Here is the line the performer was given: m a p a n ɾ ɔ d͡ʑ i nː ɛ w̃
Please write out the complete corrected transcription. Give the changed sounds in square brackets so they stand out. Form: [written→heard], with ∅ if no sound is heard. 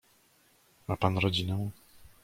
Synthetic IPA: m a p a n ɾ ɔ d͡ʑ i [nː→n] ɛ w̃

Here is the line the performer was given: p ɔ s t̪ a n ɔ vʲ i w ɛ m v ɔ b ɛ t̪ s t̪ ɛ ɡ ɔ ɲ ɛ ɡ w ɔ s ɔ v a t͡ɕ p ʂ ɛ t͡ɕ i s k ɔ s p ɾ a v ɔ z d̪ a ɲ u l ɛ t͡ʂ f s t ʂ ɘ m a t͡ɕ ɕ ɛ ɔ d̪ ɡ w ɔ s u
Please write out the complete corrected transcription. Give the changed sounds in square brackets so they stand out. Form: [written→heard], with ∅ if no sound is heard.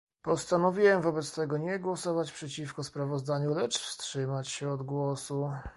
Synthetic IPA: p ɔ s t̪ a n ɔ vʲ i w ɛ m v ɔ b ɛ t̪ s t̪ ɛ ɡ ɔ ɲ ɛ ɡ w ɔ s ɔ v a t͡ɕ p ʂ ɛ t͡ɕ i [s→f] k ɔ s p ɾ a v ɔ z d̪ a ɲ u l ɛ t͡ʂ f s t ʂ ɘ m a t͡ɕ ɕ ɛ ɔ d̪ ɡ w ɔ s u

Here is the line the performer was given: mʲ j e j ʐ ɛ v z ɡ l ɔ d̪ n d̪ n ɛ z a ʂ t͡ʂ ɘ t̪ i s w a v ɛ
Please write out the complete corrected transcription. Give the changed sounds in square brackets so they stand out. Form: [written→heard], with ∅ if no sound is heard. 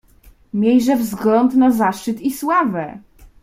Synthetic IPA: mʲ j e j ʐ ɛ v z ɡ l ɔ [d̪→∅] n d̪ n [ɛ→a] z a ʂ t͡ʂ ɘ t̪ i s w a v ɛ

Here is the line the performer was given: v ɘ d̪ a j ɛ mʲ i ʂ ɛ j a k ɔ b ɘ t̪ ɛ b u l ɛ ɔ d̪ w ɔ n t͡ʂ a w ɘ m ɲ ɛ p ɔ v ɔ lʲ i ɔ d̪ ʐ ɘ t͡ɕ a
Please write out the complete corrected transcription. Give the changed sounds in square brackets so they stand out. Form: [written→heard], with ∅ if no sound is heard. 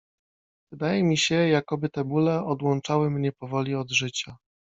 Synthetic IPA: v ɘ d̪ a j ɛ mʲ i [ʂ→ɕ] ɛ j a k ɔ b ɘ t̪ ɛ b u l ɛ ɔ d̪ w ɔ n t͡ʂ a w ɘ m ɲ ɛ p ɔ v ɔ lʲ i ɔ d̪ ʐ ɘ t͡ɕ a

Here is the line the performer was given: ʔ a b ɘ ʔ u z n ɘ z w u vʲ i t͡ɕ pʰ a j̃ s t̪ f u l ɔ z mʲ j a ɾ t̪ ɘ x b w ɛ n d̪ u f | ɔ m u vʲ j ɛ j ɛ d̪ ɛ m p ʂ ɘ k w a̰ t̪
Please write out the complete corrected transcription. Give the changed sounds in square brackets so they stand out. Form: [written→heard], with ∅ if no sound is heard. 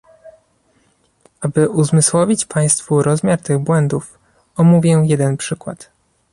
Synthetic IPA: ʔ a b ɘ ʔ u z [n→m] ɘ [z→s] w [u→ɔ] vʲ i t͡ɕ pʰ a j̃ s t̪ f u [l→ɾ] ɔ z mʲ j a ɾ t̪ ɘ [x→ɣ] b w ɛ n d̪ u f | ɔ m u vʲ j ɛ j ɛ d̪ ɛ [m→n] p ʂ ɘ k w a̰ t̪

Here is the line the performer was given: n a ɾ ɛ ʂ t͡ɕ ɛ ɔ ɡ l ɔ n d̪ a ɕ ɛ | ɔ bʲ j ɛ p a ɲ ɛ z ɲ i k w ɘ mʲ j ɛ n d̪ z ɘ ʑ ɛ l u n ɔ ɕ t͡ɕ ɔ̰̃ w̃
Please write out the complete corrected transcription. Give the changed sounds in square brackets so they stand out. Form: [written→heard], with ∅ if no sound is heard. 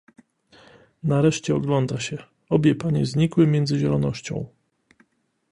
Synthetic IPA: n a ɾ ɛ ʂ t͡ɕ ɛ ɔ ɡ l ɔ n d̪ a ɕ ɛ | ɔ bʲ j ɛ p a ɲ ɛ z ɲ i k w ɘ mʲ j ɛ n d̪ z ɘ ʑ ɛ l [u→ɔ] n ɔ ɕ t͡ɕ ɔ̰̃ w̃

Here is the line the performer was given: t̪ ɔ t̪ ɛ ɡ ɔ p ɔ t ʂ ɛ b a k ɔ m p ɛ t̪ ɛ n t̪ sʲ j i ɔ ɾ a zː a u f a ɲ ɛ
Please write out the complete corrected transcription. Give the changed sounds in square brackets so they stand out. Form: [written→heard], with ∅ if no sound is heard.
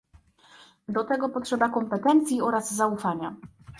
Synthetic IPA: [t̪→d̪] ɔ t̪ ɛ ɡ ɔ p ɔ t ʂ ɛ b a k ɔ m p ɛ t̪ ɛ n t̪ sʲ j i ɔ ɾ a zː a u f a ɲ [ɛ→a]

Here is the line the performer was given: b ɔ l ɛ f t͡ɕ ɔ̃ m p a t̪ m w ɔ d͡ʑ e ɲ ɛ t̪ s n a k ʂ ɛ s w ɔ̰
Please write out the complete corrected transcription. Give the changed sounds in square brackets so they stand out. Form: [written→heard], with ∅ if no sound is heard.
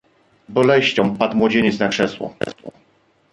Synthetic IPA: b ɔ l ɛ [f→ɕ] t͡ɕ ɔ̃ m p a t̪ m w ɔ d͡ʑ e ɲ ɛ t̪ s n a k ʂ ɛ s w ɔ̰

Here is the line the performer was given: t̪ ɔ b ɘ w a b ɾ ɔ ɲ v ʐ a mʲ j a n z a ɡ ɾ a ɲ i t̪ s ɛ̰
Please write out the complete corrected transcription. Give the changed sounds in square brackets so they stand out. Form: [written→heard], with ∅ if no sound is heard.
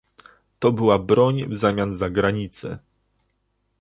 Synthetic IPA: t̪ ɔ b ɘ w a b ɾ ɔ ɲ v [ʐ→z] a mʲ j a n z a ɡ ɾ a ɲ i t̪ s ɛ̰

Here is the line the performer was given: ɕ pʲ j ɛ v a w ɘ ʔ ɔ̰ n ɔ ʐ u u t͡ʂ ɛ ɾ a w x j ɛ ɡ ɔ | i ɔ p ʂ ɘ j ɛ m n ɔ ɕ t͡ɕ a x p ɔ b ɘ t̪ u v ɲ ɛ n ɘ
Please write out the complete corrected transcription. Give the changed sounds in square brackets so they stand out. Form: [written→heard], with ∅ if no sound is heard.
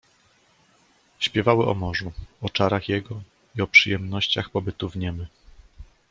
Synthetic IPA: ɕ pʲ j ɛ v a w ɘ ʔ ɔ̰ [n→m] ɔ ʐ u [u→ɔ] t͡ʂ [ɛ→a] ɾ a [w→∅] x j ɛ ɡ ɔ | i ɔ p ʂ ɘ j ɛ m n ɔ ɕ t͡ɕ a x p ɔ b ɘ t̪ u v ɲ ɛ [n→m] ɘ

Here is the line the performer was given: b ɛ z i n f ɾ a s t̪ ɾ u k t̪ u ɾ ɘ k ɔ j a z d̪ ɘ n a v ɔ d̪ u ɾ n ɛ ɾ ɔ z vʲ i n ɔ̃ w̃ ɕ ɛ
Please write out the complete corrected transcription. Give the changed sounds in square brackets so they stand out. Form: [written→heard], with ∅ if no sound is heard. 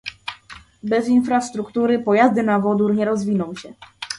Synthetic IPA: b ɛ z i n f ɾ a s t̪ ɾ u k t̪ u ɾ ɘ [k→p] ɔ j a z d̪ ɘ n a v ɔ d̪ u ɾ [n→ɲ] ɛ ɾ ɔ z vʲ i n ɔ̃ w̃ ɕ ɛ

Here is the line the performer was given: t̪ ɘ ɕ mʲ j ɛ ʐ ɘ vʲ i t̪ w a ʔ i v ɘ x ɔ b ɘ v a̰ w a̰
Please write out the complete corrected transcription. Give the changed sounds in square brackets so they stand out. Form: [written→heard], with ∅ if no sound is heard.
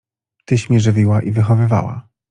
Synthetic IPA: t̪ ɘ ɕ mʲ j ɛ ʐ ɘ vʲ i [t̪→∅] w a ʔ i v ɘ x ɔ [b→v] ɘ v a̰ w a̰

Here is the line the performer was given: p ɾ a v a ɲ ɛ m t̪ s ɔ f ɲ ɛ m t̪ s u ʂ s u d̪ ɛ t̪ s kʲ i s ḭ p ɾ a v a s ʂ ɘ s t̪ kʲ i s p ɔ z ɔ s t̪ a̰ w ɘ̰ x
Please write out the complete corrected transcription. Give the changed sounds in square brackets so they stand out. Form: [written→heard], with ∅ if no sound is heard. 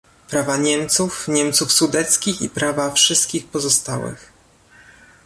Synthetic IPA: p ɾ a v a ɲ ɛ m t̪ s [ɔ→u] f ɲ ɛ m t̪ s u [ʂ→f] s u d̪ ɛ t̪ s kʲ i [s→x] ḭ p ɾ a v a [s→f] ʂ ɘ s t̪ kʲ i [s→x] p ɔ z ɔ s t̪ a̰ w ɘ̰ x

